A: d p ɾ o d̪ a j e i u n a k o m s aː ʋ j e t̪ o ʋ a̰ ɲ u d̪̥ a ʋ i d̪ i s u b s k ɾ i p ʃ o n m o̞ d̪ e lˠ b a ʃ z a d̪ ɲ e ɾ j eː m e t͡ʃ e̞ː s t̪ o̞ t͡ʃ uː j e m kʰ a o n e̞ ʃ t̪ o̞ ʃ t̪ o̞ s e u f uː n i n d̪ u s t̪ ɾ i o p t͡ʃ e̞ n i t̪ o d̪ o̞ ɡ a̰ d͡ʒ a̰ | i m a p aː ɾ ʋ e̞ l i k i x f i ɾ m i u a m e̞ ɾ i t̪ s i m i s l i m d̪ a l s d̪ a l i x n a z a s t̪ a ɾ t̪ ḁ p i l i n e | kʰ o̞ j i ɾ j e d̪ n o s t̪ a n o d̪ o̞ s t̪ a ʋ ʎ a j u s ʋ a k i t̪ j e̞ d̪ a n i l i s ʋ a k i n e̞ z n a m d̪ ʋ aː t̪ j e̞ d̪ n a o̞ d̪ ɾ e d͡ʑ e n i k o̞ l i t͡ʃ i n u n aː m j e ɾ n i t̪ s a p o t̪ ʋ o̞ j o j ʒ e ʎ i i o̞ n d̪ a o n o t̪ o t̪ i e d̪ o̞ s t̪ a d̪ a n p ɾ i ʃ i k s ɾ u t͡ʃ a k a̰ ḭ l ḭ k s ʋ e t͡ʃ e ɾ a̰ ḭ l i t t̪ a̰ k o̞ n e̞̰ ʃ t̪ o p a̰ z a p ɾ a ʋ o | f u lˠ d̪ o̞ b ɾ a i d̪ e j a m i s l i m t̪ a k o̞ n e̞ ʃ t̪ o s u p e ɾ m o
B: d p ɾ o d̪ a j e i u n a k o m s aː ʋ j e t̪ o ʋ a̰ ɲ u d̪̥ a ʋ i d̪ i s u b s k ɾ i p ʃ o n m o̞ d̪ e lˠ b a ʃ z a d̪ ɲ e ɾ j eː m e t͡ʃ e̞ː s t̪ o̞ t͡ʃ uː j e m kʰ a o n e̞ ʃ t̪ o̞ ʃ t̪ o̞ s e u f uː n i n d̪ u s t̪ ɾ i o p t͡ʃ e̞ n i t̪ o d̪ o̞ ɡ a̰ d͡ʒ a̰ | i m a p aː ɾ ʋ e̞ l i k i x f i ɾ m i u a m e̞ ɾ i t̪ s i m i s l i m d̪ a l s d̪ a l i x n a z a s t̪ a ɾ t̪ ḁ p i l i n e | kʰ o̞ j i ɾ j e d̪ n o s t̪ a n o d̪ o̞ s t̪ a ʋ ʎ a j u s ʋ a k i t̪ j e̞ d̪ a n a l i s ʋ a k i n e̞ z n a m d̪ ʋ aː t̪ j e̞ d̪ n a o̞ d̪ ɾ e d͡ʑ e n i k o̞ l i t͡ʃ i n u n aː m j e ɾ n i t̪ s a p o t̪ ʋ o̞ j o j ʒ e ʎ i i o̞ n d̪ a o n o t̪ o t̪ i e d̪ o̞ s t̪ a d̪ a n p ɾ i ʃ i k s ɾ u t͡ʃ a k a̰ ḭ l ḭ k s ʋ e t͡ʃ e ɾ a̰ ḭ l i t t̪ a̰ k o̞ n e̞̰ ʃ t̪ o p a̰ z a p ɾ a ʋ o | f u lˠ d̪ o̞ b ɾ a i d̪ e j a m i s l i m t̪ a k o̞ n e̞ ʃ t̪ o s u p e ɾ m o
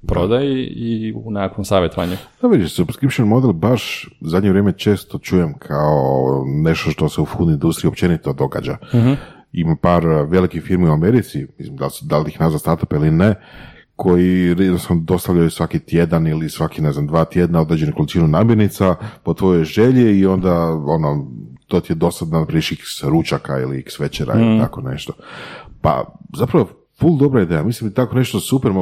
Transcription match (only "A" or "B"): A